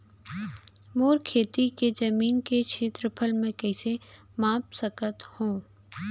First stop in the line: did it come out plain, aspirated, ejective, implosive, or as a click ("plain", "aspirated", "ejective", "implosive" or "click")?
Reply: aspirated